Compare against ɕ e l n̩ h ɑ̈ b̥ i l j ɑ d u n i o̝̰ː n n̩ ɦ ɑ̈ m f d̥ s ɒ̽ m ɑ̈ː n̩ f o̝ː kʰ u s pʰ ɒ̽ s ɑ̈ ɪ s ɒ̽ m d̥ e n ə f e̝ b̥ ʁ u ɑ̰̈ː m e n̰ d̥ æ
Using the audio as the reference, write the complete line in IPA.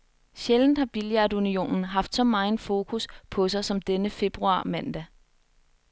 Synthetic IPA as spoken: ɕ e l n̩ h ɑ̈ b̥ i l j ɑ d u n i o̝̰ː n n̩ ɦ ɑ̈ f d̥ s ɒ̽ m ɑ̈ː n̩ f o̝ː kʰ u s pʰ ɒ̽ s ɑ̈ ɪ s ɒ̽ m d̥ e n ə f e̝ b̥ ʁ u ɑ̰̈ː m æ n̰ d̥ æ